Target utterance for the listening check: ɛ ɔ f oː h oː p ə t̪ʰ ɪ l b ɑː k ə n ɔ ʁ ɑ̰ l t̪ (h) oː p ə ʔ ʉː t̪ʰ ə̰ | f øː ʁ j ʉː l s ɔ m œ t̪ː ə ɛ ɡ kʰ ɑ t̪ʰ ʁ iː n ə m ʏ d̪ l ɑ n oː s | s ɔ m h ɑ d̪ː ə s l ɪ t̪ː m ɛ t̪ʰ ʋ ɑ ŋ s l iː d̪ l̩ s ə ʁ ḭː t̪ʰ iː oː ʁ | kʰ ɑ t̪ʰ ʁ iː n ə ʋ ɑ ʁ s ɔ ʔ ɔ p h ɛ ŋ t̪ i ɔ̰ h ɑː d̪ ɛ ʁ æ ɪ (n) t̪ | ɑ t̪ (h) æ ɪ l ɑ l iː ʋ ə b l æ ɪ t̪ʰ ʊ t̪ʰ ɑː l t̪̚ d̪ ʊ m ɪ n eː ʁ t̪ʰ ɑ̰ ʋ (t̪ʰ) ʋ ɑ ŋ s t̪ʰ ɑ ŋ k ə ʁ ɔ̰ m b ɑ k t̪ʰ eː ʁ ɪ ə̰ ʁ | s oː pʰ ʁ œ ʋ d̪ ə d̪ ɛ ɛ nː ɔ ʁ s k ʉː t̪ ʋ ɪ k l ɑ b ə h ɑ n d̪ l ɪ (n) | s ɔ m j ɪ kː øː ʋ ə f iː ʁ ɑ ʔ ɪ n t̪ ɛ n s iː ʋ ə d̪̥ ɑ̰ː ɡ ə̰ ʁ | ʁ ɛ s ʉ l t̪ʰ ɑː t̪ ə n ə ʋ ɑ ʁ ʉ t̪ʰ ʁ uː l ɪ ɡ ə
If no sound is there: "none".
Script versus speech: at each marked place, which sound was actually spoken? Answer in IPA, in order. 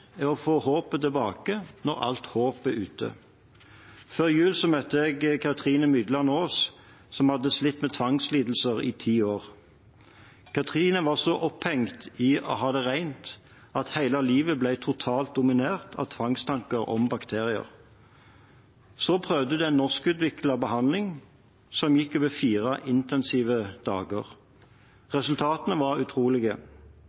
h, n, h, t̪ʰ, ŋ

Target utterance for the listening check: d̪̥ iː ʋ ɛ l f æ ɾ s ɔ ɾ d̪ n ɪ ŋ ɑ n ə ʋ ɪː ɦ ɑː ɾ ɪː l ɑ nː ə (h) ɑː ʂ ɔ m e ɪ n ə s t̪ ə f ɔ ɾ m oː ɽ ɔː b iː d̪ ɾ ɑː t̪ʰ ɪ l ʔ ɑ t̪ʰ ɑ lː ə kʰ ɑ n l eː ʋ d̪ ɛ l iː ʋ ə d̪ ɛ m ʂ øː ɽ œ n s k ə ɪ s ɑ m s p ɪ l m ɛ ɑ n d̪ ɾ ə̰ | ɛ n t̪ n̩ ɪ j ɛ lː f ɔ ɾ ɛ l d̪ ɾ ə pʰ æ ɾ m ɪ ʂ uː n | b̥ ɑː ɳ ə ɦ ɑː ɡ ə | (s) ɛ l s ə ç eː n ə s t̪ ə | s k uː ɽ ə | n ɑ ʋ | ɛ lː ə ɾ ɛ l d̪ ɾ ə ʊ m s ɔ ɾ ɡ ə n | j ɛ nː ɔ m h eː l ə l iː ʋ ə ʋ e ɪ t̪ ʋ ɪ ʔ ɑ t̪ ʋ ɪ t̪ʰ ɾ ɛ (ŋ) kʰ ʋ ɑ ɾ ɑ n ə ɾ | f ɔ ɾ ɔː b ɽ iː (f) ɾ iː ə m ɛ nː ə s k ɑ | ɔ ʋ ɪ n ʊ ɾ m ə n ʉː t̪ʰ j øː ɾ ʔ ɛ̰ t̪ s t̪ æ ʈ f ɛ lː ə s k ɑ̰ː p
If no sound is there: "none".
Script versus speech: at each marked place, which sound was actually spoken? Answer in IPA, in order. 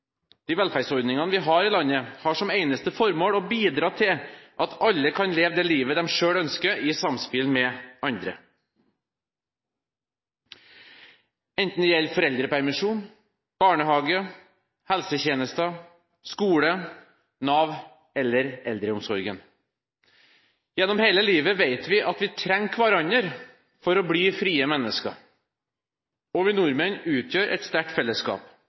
h, h, ŋ, f

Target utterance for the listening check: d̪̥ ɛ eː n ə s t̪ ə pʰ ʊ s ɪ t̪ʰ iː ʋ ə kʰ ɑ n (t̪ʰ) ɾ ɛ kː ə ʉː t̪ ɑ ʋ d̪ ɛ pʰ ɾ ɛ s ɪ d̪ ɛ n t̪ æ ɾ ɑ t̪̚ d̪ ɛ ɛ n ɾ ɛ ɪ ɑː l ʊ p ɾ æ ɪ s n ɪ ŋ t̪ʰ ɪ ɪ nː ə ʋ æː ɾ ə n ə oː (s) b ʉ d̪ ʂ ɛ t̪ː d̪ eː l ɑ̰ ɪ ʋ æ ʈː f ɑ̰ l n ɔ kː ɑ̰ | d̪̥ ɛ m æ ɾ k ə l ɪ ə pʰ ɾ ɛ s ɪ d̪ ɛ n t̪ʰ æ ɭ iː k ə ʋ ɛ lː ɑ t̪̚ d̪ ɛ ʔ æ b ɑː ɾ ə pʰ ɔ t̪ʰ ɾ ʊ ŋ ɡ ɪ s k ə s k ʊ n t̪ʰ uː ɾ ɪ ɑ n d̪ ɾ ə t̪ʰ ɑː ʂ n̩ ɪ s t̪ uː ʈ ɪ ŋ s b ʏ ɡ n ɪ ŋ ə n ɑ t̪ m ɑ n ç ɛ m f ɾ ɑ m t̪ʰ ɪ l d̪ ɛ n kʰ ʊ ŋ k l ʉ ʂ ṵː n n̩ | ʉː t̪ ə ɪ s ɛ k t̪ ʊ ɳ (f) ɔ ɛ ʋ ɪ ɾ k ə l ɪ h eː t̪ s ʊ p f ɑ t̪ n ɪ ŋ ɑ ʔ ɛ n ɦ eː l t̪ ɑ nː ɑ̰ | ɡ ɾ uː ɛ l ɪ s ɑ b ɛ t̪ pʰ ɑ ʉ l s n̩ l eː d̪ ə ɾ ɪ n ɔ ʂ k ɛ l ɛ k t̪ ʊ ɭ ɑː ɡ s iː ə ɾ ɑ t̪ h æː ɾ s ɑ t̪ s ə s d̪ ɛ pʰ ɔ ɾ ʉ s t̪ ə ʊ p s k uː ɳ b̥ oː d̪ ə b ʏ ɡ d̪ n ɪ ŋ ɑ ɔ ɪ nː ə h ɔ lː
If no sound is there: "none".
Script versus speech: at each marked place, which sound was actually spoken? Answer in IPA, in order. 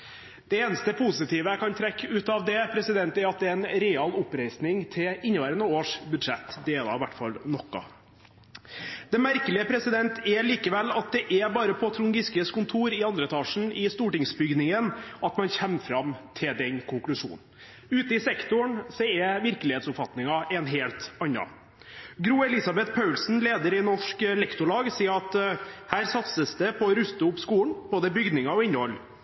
t̪ʰ, ʂ, s

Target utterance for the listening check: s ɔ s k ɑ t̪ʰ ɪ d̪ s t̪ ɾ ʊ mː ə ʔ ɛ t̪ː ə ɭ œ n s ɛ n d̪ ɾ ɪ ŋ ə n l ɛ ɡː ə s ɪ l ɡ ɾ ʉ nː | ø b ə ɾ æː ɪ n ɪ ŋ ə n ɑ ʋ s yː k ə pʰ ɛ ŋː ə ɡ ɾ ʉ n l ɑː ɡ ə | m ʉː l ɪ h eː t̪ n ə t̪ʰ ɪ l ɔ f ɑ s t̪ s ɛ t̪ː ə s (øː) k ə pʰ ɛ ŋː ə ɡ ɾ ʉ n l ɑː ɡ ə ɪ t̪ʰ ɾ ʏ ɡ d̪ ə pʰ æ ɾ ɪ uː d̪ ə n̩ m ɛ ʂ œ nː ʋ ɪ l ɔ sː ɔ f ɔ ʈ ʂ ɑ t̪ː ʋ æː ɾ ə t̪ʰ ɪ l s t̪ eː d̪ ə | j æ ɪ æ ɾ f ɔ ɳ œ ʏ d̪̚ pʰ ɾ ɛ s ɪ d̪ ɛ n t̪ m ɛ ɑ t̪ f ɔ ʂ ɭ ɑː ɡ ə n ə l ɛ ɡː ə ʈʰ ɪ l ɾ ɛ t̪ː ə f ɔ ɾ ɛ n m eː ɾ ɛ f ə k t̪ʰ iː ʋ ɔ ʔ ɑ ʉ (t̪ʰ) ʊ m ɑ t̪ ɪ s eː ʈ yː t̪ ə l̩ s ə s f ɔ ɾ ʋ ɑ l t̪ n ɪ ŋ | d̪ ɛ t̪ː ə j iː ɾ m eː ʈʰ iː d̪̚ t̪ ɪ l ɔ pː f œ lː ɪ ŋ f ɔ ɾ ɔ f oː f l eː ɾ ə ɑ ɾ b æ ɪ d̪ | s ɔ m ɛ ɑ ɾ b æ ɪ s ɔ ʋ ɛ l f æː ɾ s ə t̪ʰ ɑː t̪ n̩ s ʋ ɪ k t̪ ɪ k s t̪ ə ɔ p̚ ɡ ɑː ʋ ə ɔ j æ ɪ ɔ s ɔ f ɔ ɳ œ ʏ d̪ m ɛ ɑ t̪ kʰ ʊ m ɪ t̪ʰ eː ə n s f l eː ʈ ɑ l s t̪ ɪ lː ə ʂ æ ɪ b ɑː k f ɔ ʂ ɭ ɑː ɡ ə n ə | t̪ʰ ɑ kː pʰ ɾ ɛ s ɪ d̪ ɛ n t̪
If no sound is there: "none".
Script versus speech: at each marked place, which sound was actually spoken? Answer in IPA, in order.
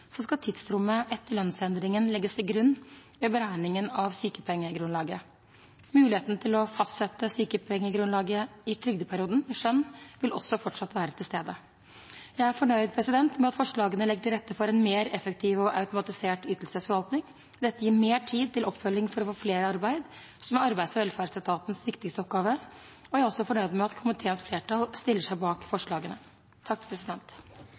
yː, t̪

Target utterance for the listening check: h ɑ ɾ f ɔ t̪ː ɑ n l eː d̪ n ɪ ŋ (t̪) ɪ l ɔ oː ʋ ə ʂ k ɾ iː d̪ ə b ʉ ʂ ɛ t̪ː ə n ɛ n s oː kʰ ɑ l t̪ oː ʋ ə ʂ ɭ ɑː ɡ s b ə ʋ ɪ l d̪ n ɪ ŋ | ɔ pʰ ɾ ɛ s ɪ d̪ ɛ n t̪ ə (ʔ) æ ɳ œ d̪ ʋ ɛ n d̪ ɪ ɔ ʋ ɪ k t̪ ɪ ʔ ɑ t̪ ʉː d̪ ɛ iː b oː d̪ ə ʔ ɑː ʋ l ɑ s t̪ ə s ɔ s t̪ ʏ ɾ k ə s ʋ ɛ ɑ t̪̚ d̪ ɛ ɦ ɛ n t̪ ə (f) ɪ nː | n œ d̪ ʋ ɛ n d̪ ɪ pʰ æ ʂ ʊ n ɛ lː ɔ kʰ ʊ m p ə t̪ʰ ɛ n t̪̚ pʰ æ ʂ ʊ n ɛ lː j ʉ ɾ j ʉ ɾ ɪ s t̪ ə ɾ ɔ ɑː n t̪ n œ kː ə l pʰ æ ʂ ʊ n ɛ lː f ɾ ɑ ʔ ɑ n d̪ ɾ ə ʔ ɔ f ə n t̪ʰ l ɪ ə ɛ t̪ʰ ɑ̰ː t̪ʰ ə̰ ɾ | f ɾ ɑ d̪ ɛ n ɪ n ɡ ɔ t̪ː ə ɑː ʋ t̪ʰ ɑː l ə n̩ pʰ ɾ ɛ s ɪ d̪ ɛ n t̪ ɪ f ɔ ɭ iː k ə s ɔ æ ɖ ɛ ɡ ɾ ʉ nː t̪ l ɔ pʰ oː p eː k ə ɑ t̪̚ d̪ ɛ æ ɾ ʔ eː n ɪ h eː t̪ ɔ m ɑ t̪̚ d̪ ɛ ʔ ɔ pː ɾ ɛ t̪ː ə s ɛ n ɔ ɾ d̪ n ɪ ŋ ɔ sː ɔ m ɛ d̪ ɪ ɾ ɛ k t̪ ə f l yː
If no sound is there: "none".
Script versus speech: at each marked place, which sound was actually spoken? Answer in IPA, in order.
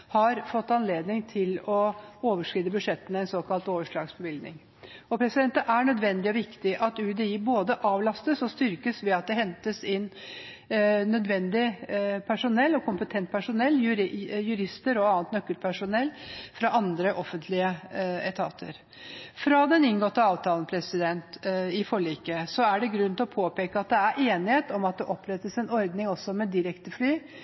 t̪ʰ, ʔ, s

